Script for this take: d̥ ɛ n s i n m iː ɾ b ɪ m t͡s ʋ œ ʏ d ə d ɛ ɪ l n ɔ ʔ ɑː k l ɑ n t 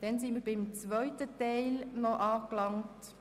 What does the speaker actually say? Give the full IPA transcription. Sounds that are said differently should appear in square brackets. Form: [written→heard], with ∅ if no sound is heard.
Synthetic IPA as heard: d̥ ɛ n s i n m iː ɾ b ɪ m t͡s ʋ œ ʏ [d→t] ə [d→t] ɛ ɪ l n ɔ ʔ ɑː k l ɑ [n→ŋ] t